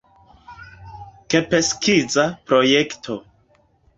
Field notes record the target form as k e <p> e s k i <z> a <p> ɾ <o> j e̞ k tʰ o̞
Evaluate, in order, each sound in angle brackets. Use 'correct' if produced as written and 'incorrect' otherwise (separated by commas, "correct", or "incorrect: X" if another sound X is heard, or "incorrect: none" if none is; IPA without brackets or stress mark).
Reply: correct, correct, correct, correct